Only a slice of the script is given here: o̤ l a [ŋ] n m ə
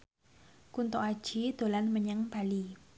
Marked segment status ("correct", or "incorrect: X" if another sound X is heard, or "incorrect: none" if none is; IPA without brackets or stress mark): incorrect: none